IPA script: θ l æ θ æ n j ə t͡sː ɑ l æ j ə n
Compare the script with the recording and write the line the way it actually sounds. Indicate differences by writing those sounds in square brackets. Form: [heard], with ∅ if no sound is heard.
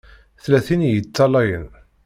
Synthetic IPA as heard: θ l æ θ [i] n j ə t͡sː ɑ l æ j ə n